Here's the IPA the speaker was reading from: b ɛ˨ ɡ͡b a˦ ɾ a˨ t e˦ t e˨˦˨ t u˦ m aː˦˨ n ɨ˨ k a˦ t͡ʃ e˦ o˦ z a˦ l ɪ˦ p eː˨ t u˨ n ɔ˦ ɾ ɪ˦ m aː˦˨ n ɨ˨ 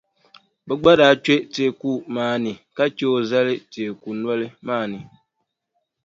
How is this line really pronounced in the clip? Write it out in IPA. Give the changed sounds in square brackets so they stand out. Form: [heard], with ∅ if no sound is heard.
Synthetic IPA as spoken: b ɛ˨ ɡ͡b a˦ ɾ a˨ [t͡ʃ] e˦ t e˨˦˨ [k] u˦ m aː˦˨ n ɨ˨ k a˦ t͡ʃ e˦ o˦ z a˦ l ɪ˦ [t] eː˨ [k] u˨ n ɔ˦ [l] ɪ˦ m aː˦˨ n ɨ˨